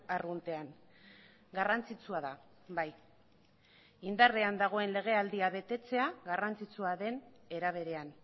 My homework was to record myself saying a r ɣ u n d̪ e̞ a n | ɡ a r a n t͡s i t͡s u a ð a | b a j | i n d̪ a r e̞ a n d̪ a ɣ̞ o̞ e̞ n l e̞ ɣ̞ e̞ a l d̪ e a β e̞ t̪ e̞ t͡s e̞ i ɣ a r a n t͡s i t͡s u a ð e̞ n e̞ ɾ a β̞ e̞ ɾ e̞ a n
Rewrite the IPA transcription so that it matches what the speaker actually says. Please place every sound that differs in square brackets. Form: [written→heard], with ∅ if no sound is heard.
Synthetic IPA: a r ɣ u n [d̪→t̪] e̞ a n | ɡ a r a n t͡s i t͡s u a ð a | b a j | i n d̪ a r e̞ a n d̪ a ɣ̞ o̞ e̞ n l e̞ ɣ̞ e̞ a l d̪ [e→i] a β e̞ t̪ e̞ t͡s e̞ [i→a] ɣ a r a n t͡s i t͡s u a ð e̞ n e̞ ɾ a β̞ e̞ ɾ e̞ a n